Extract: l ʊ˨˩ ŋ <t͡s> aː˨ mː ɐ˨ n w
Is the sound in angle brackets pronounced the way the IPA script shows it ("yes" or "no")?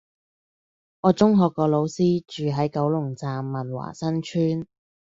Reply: yes